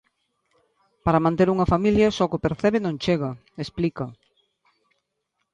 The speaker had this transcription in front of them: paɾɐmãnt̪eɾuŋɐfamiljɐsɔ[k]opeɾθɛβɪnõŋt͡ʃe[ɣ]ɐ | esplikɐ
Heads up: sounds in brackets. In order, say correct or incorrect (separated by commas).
correct, correct